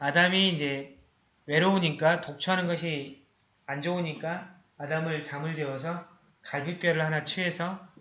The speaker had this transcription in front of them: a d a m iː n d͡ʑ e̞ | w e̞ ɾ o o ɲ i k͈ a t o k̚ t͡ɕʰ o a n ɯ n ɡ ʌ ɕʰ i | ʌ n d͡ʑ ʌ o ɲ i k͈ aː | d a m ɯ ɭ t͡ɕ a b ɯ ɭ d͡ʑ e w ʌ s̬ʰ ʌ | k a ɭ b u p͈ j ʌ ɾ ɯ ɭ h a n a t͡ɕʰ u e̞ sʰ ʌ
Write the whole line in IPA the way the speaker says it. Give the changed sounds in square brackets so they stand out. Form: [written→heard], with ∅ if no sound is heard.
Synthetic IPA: a d a m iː n d͡ʑ e̞ | w e̞ ɾ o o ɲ i k͈ a t o k̚ t͡ɕʰ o a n ɯ n ɡ ʌ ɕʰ i | [ʌ→a] n d͡ʑ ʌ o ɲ i k͈ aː | d a m ɯ ɭ t͡ɕ a [b→m] ɯ ɭ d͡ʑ e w ʌ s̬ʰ ʌ | k a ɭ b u p͈ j ʌ ɾ ɯ ɭ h a n a t͡ɕʰ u e̞ sʰ ʌ

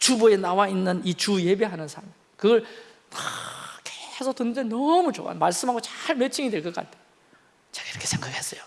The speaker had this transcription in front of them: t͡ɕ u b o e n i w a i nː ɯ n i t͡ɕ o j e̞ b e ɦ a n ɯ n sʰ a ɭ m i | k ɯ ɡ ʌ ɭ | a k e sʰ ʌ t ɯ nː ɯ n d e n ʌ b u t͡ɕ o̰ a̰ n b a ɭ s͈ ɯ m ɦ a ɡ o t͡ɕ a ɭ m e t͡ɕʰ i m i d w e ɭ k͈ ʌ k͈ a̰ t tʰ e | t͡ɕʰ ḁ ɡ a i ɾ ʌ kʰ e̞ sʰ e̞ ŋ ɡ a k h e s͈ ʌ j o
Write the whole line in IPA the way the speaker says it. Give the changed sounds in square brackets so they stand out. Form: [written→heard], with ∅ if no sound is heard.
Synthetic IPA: t͡ɕ u b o e n [i→a] w a i nː ɯ n i t͡ɕ [o→u] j e̞ b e ɦ a n ɯ n sʰ a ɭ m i | k ɯ ɡ ʌ ɭ | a k e sʰ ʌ t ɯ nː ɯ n d e n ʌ [b→m] u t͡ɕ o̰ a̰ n [b→m] a ɭ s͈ ɯ m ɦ a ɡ o t͡ɕ a ɭ m e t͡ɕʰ i [m→ŋ] i d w e ɭ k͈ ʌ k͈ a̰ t tʰ e | [t͡ɕʰ→t͡ɕ] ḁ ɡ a i ɾ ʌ kʰ e̞ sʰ e̞ ŋ ɡ a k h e s͈ ʌ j o

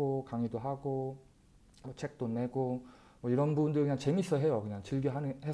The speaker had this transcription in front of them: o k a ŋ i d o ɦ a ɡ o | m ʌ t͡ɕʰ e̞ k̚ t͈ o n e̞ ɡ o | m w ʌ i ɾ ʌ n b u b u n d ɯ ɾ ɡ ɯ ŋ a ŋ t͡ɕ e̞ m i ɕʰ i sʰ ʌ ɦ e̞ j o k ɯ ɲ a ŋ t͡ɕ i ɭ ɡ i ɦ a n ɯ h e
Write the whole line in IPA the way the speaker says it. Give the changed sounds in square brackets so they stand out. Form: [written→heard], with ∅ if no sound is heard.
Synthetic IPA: o k a ŋ i d o ɦ a ɡ o | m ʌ t͡ɕʰ e̞ k̚ t͈ o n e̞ ɡ o | m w ʌ i ɾ ʌ n b u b u n d ɯ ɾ [ɡ→k] ɯ [ŋ→ɲ] a ŋ t͡ɕ e̞ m i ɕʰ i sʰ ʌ ɦ e̞ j o k ɯ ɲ a ŋ t͡ɕ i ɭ ɡ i ɦ a n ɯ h e

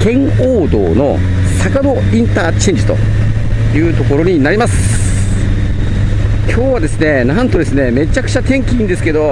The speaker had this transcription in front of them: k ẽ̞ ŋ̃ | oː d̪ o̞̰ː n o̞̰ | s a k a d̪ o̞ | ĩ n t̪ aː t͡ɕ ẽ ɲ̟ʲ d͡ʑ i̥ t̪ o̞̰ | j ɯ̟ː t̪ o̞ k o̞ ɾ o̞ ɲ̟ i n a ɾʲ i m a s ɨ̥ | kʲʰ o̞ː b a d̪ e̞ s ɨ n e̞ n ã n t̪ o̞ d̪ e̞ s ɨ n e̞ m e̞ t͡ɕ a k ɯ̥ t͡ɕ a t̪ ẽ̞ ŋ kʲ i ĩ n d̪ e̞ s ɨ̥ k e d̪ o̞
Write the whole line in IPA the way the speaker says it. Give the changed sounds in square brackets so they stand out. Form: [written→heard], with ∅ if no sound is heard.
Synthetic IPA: k ẽ̞ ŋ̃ | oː d̪ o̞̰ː n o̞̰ | s a k a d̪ o̞ | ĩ n t̪ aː t͡ɕ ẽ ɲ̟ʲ d͡ʑ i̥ t̪ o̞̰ | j ɯ̟ː t̪ o̞ k o̞ ɾ o̞ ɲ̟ i n a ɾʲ i m a s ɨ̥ | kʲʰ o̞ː [b→β] a d̪ e̞ s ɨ n e̞ n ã n t̪ o̞ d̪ e̞ s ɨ n e̞ m e̞ t͡ɕ a k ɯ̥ t͡ɕ a t̪ ẽ̞ ŋ kʲ i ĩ n d̪ e̞ s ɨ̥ k e d̪ o̞

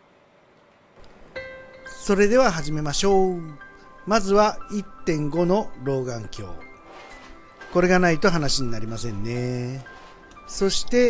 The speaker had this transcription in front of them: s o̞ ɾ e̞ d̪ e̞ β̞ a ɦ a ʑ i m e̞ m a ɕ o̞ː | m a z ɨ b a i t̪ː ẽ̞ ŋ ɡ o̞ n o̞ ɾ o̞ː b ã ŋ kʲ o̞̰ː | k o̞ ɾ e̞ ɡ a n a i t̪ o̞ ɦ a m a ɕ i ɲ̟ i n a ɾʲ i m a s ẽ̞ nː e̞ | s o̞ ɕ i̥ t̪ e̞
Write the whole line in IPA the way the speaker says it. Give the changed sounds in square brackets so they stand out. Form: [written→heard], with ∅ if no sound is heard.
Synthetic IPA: s o̞ ɾ e̞ d̪ e̞ β̞ a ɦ a ʑ i m e̞ m a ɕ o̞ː | m a z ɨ [b→β] a i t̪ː ẽ̞ ŋ ɡ o̞ n o̞ ɾ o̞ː [b→ɡ] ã ŋ kʲ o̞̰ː | k o̞ ɾ e̞ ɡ a n a i t̪ o̞ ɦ a [m→n] a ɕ i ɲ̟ i n a ɾʲ i m a s ẽ̞ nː e̞ | s o̞ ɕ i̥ t̪ e̞

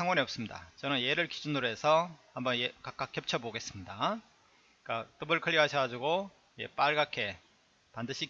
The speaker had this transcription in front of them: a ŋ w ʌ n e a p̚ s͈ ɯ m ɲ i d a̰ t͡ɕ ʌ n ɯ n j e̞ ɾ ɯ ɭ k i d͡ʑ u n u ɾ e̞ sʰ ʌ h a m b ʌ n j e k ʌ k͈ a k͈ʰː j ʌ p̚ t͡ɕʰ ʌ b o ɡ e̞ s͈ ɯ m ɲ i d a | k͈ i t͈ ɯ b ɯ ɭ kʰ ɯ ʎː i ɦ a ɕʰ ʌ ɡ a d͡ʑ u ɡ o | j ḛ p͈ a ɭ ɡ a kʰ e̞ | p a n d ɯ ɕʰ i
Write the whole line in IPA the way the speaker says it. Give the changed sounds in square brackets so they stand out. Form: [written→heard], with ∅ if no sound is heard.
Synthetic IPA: a ŋ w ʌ n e [a→ʌ] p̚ s͈ ɯ m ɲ i d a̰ t͡ɕ ʌ n ɯ n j e̞ ɾ ɯ ɭ k i d͡ʑ u n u ɾ e̞ sʰ ʌ h a m b ʌ n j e k [ʌ→a] k͈ a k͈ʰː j ʌ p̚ t͡ɕʰ ʌ b o ɡ e̞ s͈ ɯ m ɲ i d a | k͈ [i→a] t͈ ɯ b ɯ ɭ kʰ ɯ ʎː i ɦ a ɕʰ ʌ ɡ a d͡ʑ u ɡ o | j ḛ p͈ a ɭ ɡ a kʰ e̞ | p a n d ɯ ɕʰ i

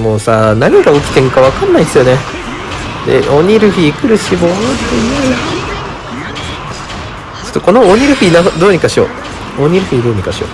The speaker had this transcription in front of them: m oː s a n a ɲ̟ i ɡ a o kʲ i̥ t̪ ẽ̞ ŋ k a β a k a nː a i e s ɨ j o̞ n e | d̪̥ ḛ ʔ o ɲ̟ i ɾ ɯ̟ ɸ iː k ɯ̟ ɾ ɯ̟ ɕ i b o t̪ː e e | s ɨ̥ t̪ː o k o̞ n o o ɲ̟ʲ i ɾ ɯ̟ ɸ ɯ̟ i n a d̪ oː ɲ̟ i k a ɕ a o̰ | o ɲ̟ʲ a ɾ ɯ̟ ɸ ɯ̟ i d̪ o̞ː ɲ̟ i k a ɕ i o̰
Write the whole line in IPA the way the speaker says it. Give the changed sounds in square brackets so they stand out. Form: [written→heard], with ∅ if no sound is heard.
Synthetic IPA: m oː s a n a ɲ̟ i ɡ a o kʲ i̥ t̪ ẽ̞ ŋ k a β a k a nː a i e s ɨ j o̞ n e | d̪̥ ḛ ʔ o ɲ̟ i ɾ ɯ̟ ɸ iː k ɯ̟ ɾ ɯ̟ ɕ i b o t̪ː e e | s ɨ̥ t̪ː o k o̞ n o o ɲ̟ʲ i ɾ ɯ̟ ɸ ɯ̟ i n a d̪ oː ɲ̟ i k a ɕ [a→i] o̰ | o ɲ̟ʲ [a→i] ɾ ɯ̟ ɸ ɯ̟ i d̪ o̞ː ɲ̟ i k a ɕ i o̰

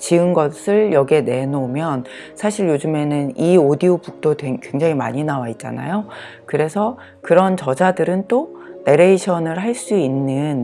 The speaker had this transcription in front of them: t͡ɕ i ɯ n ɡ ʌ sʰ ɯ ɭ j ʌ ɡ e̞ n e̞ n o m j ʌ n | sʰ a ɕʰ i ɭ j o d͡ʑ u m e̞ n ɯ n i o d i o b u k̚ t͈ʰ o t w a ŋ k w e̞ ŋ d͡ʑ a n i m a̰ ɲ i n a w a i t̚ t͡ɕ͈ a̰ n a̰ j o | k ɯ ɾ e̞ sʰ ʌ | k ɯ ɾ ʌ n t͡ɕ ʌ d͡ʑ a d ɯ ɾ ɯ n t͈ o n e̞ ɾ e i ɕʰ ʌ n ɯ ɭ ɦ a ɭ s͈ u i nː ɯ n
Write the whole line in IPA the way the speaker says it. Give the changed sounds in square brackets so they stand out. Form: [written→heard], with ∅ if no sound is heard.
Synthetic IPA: t͡ɕ i ɯ n ɡ ʌ sʰ ɯ ɭ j ʌ ɡ e̞ n e̞ n o m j ʌ n | sʰ a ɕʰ i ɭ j o d͡ʑ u m e̞ n ɯ n i o d i o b u k̚ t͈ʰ o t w [a→e] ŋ k w e̞ ŋ d͡ʑ a [n→ŋ] i m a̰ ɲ i n a w a i t̚ t͡ɕ͈ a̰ n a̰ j o | k ɯ ɾ e̞ sʰ ʌ | k ɯ ɾ ʌ n t͡ɕ ʌ d͡ʑ a d ɯ ɾ ɯ n t͈ o n e̞ ɾ e i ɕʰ ʌ n ɯ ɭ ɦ a ɭ s͈ u i nː ɯ n

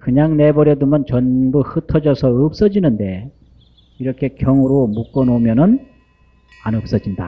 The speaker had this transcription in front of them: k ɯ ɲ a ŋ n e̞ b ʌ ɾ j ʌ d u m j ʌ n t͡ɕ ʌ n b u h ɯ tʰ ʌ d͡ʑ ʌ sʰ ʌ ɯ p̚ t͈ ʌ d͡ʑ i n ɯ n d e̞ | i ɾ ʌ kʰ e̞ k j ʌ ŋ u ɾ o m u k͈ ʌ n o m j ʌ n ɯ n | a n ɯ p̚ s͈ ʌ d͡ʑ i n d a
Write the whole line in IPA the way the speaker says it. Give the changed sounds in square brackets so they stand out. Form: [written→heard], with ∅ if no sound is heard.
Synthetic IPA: k ɯ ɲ a ŋ n e̞ b ʌ ɾ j ʌ d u m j ʌ n t͡ɕ ʌ n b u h ɯ tʰ ʌ d͡ʑ ʌ sʰ ʌ ɯ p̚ [t͈→s͈] ʌ d͡ʑ i n ɯ n d e̞ | i ɾ ʌ kʰ e̞ k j ʌ ŋ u ɾ o m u k͈ ʌ n o m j ʌ n ɯ n | a n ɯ p̚ s͈ ʌ d͡ʑ i n d a

